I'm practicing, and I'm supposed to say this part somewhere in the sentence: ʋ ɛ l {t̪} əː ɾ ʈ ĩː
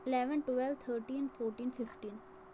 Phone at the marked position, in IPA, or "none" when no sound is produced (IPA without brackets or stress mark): t̪ʰ